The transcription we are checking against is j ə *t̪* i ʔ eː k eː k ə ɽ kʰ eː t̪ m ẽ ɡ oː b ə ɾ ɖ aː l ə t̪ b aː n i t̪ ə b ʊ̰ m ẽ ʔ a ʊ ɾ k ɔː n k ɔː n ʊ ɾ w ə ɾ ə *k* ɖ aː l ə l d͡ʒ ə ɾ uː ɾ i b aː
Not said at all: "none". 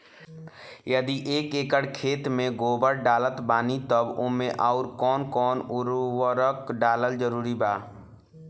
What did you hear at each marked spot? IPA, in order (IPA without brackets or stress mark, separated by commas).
d̪, k